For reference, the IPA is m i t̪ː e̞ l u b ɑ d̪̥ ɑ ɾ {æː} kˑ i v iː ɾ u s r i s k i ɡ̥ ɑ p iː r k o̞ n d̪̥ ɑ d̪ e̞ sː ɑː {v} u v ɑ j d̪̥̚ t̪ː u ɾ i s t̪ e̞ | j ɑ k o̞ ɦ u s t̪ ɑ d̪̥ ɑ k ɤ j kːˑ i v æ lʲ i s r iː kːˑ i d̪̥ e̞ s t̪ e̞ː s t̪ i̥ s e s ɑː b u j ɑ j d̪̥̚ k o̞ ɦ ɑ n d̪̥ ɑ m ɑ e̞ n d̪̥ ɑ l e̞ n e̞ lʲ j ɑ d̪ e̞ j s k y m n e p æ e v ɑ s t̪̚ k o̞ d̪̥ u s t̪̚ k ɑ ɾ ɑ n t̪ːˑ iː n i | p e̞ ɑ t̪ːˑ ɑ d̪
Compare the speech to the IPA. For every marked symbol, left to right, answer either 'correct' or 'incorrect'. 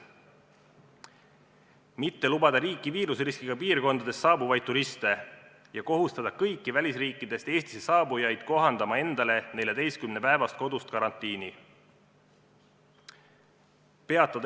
incorrect: iː, incorrect: b

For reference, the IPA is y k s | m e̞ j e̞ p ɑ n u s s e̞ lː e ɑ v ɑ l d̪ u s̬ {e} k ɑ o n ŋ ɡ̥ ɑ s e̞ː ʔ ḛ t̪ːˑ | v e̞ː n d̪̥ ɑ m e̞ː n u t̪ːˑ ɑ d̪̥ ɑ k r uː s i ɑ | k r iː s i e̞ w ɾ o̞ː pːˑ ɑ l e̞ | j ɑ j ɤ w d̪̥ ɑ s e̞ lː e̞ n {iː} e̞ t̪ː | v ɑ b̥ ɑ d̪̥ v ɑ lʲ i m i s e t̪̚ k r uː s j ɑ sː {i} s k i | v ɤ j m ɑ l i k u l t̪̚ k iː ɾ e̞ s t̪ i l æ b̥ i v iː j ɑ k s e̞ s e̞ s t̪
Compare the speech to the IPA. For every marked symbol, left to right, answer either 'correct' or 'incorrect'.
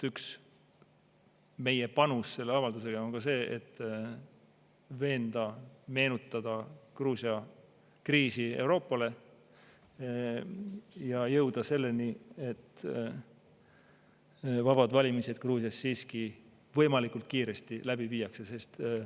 correct, incorrect: i, incorrect: iː

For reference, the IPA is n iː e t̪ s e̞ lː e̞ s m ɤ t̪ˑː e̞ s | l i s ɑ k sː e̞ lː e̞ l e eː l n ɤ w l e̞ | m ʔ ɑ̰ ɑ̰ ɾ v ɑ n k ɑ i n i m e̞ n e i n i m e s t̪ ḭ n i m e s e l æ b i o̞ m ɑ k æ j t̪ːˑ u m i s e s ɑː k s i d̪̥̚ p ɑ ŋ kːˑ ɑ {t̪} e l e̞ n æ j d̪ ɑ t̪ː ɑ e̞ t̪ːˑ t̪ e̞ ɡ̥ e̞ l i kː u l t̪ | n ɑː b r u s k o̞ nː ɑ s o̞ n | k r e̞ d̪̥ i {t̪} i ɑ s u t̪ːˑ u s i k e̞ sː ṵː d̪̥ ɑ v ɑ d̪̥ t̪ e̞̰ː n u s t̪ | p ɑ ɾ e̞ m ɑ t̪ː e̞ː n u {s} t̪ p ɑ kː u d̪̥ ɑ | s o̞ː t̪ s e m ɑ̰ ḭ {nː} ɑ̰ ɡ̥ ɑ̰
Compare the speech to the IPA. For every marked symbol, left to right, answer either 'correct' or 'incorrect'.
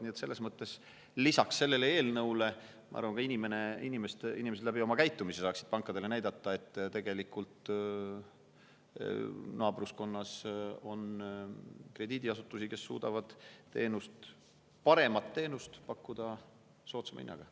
incorrect: d̪, incorrect: d̪, correct, correct

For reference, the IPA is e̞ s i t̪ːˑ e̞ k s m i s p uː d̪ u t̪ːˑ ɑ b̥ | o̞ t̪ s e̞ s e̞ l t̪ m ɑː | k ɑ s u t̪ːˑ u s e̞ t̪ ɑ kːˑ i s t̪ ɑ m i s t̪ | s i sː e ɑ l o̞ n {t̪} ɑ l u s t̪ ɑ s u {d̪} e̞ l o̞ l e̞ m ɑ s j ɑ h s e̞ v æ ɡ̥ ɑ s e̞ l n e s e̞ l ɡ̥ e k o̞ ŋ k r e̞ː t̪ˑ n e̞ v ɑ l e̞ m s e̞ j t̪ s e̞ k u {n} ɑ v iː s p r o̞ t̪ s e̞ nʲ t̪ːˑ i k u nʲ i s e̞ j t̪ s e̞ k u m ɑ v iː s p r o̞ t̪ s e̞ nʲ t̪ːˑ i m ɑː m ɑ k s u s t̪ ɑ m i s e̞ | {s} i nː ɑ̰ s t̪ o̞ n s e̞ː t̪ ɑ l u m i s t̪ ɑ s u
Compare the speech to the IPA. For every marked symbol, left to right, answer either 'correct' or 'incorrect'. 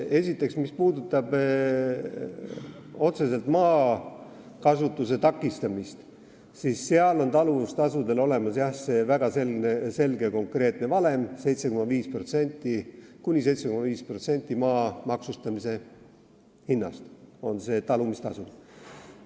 correct, correct, incorrect: m, incorrect: h

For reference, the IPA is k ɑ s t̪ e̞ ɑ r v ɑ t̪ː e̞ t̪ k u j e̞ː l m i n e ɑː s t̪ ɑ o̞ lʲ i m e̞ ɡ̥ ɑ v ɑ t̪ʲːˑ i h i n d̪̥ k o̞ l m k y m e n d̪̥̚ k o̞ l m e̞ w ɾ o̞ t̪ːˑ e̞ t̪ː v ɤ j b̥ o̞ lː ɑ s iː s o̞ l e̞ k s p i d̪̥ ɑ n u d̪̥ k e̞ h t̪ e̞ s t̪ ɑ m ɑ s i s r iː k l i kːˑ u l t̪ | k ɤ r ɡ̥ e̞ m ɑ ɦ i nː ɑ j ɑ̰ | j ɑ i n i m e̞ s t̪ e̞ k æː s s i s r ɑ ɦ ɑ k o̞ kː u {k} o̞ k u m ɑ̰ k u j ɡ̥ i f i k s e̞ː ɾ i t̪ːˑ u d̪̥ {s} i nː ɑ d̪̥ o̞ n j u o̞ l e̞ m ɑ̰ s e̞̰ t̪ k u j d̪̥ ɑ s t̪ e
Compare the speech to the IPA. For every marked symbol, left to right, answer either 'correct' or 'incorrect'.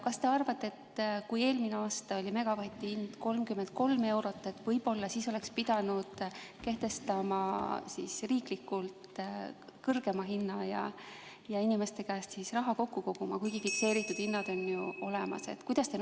correct, incorrect: h

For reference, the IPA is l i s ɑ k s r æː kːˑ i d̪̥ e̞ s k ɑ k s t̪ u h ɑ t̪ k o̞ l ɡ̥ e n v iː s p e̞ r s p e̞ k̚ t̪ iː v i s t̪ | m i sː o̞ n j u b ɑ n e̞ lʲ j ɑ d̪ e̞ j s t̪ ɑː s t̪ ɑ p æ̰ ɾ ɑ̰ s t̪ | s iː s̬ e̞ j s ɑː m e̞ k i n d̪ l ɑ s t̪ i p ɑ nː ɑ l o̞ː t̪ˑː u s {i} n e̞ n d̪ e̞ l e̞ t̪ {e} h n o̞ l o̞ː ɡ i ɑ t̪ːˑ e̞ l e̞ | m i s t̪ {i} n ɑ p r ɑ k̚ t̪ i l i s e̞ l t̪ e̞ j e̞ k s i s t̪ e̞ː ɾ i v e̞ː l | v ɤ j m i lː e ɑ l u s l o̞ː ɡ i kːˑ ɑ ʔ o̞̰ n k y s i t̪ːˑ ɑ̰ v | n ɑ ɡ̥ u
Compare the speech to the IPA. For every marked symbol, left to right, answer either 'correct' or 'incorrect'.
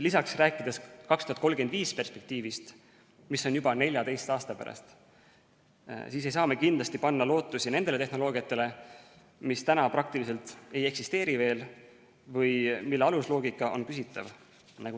correct, correct, incorrect: æ

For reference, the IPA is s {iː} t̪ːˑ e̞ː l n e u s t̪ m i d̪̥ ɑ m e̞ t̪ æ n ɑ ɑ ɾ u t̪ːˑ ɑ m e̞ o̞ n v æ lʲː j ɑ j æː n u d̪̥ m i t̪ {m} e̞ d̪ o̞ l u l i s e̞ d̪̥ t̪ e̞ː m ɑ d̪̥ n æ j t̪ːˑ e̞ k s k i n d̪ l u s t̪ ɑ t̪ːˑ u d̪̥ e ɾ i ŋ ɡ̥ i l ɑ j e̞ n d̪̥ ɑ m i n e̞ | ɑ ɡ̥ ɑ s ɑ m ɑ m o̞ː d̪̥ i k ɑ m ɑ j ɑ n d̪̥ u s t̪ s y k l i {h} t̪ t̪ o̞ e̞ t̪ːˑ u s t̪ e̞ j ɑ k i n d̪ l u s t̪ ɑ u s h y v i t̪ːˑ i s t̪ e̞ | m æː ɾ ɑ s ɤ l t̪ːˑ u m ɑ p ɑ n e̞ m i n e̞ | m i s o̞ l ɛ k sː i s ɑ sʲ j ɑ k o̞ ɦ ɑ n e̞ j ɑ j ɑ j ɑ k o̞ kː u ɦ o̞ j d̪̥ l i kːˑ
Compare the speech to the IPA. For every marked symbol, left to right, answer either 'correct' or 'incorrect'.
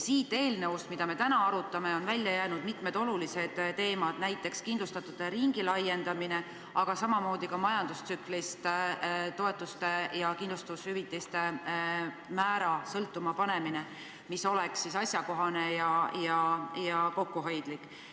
correct, correct, incorrect: s

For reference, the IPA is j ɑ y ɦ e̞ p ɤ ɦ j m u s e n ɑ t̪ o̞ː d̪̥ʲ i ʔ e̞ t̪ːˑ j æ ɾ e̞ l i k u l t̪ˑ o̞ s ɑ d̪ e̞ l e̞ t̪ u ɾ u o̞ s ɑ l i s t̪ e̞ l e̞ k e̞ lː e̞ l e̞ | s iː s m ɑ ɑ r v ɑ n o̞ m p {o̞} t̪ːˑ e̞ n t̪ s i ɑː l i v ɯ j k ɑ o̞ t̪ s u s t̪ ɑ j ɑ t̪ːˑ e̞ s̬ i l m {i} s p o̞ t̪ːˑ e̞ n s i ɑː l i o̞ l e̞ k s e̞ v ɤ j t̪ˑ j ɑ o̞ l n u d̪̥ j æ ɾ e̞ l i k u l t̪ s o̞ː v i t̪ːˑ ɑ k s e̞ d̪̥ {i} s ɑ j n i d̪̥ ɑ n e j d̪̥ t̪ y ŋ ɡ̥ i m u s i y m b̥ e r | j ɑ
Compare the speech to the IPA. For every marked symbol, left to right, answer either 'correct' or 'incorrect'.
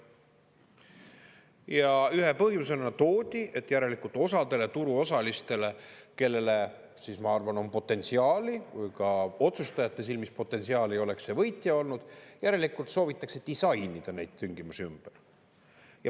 correct, correct, correct

